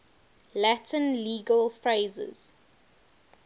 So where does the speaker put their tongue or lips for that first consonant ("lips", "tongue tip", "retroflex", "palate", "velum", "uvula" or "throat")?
tongue tip